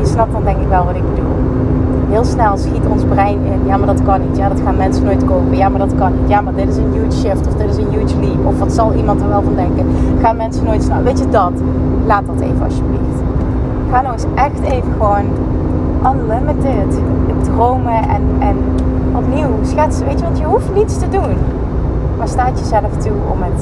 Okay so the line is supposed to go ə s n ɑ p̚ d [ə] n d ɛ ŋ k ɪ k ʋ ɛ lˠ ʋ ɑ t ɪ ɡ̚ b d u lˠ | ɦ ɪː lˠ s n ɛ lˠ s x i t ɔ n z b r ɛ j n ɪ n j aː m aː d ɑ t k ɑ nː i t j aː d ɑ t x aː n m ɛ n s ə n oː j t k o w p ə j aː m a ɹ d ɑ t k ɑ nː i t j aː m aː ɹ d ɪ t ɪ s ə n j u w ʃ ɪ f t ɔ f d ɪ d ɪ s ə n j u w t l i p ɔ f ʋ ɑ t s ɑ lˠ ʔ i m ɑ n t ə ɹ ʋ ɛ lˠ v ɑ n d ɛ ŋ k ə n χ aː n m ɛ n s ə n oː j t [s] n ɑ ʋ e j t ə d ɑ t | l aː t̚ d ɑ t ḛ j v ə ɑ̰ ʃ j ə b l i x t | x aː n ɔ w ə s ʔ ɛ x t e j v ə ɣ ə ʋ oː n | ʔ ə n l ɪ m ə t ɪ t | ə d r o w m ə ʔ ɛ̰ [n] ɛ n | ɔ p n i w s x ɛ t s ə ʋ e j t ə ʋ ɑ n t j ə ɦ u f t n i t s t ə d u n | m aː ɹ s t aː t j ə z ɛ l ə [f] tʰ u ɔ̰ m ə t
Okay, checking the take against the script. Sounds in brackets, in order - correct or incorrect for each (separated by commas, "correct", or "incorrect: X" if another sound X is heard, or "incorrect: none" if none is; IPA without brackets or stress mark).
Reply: incorrect: ɑ, correct, correct, correct